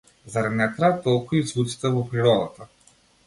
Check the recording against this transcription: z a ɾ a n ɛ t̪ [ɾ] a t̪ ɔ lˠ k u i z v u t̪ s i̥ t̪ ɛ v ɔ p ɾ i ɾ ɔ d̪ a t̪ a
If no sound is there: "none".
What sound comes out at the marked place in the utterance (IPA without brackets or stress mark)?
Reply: ɾ